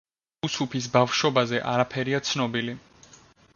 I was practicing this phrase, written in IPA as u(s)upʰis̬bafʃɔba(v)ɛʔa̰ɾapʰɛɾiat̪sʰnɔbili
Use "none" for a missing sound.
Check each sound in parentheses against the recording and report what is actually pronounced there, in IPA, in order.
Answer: s, z

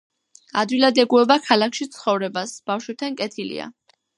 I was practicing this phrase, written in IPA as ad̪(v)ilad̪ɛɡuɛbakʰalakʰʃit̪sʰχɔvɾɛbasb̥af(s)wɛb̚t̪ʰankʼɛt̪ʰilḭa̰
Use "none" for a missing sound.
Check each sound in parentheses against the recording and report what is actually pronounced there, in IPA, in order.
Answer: w, ʃ

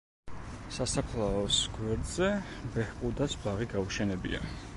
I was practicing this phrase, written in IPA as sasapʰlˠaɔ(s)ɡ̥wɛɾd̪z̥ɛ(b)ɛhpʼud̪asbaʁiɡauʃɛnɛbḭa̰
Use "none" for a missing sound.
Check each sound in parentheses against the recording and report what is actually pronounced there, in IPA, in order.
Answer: s, b

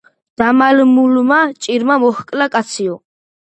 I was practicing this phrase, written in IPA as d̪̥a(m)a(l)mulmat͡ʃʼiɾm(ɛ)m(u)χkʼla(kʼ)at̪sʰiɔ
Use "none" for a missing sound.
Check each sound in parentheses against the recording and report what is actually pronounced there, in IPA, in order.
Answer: m, l, a, ɔ, kʼ

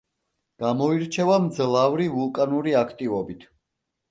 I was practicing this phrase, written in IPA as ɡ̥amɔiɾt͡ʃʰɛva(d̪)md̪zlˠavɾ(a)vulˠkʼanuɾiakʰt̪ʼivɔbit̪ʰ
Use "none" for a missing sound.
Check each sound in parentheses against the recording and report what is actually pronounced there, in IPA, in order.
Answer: none, i

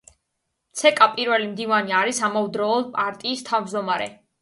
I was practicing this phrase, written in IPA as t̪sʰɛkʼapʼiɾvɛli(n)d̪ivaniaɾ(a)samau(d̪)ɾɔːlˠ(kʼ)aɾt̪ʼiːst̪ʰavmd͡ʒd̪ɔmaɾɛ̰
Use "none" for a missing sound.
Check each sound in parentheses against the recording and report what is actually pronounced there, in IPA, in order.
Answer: m, i, d̪, pʼ

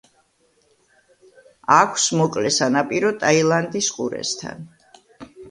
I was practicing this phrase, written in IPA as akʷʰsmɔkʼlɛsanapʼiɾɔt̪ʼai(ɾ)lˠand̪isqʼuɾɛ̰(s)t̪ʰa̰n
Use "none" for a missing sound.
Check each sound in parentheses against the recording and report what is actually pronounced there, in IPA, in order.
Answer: none, s

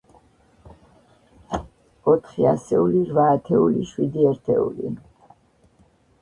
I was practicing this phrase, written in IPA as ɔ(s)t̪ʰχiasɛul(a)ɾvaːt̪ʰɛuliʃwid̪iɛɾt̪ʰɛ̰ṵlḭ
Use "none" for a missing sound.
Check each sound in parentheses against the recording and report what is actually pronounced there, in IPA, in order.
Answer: none, i

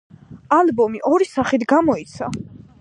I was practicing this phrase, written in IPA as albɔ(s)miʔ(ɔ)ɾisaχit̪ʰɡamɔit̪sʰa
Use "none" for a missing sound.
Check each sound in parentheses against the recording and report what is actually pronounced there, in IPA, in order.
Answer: none, ɔ

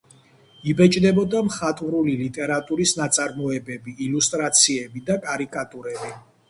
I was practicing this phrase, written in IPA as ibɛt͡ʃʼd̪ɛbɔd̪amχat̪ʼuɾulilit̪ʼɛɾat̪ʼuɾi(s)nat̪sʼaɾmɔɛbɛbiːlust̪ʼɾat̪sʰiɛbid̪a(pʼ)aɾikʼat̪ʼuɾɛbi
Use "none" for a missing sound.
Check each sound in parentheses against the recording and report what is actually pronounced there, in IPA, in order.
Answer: s, kʼ

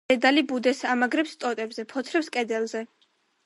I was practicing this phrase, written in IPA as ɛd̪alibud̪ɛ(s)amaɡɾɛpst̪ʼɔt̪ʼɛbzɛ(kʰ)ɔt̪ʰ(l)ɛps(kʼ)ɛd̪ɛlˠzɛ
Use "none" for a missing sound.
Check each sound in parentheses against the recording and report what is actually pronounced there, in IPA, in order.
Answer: s, pʰ, ɾ, kʼ

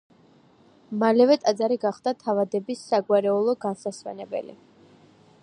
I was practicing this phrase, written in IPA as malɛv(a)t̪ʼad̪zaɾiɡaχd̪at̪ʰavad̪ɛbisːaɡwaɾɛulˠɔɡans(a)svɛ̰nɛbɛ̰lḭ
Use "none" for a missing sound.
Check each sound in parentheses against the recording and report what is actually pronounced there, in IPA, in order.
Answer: ɛ, a

